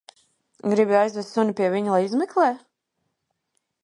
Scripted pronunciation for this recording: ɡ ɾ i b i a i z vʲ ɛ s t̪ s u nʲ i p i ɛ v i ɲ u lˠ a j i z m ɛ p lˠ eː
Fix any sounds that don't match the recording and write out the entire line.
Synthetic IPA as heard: ɡ ɾ i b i a j z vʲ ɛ s t̪ s u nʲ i p i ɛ v i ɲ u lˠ a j i z m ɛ k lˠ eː